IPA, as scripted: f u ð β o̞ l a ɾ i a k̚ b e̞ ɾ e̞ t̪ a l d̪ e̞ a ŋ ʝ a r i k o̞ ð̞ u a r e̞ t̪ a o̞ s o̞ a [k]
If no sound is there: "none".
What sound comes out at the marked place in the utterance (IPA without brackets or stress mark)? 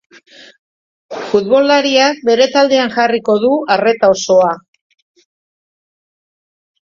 none